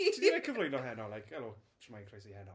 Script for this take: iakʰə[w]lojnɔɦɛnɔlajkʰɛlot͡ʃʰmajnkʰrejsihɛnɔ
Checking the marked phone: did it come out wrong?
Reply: yes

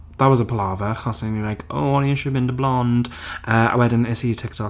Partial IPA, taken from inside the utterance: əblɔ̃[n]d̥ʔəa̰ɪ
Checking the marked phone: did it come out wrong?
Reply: no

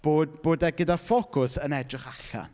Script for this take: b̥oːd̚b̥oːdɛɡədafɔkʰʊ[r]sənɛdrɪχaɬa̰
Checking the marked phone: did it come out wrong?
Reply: yes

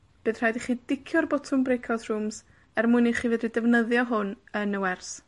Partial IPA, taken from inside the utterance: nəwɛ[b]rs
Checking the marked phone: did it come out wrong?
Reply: yes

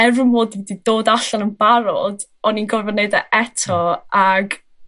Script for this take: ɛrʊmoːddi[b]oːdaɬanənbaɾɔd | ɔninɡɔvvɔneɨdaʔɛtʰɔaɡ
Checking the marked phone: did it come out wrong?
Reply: yes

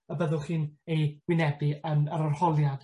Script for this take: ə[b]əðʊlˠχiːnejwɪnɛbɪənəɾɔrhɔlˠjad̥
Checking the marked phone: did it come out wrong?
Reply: no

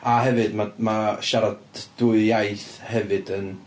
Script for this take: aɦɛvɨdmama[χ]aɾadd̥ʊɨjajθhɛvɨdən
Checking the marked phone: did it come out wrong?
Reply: yes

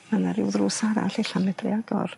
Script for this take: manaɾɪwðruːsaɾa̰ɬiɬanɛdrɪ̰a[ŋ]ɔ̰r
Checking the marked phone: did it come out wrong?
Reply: yes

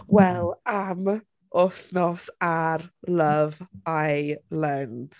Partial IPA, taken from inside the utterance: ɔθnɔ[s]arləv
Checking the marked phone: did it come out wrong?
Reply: no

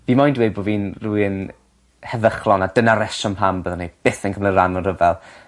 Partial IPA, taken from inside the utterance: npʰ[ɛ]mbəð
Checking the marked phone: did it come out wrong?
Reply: yes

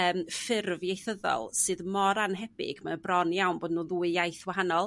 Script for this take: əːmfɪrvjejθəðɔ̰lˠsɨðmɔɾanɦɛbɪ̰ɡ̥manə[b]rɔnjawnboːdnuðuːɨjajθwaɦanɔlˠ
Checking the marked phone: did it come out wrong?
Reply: no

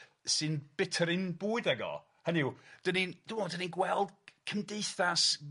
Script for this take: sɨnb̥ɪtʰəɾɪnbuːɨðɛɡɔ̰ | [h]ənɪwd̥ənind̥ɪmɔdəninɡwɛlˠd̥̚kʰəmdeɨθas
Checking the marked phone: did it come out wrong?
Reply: no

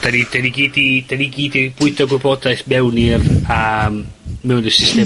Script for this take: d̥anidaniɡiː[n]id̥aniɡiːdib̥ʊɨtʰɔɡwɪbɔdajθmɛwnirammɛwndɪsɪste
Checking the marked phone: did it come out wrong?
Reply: yes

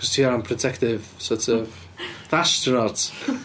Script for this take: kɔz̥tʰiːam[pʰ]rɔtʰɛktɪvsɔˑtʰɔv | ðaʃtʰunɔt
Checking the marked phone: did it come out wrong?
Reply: no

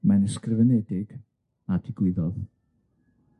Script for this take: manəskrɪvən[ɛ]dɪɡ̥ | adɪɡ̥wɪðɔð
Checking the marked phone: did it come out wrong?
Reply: no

